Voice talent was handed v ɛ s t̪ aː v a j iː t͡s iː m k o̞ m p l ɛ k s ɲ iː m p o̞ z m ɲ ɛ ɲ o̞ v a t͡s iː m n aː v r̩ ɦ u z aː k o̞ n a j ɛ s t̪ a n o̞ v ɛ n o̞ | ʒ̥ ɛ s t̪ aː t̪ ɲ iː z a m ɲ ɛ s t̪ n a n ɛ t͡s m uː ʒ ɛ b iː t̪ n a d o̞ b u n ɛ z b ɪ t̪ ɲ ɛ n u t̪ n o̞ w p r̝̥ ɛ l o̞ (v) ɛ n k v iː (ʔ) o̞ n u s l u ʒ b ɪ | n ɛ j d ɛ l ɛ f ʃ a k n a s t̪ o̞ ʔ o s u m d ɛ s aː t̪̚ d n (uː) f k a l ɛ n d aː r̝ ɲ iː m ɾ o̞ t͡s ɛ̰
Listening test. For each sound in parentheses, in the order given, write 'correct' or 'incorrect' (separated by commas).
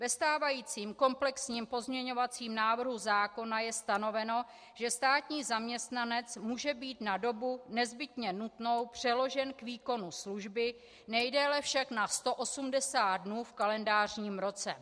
incorrect, incorrect, correct